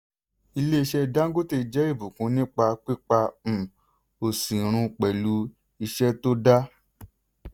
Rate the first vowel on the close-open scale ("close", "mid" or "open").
close